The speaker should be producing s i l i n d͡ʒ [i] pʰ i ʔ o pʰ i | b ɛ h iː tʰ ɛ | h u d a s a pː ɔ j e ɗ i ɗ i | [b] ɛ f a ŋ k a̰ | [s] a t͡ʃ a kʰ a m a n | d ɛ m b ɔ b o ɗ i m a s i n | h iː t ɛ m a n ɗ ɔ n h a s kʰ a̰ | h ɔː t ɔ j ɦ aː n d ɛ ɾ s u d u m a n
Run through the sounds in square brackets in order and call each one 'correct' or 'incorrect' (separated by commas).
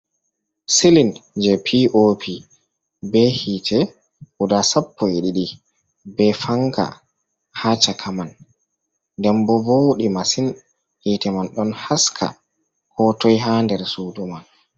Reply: incorrect, correct, incorrect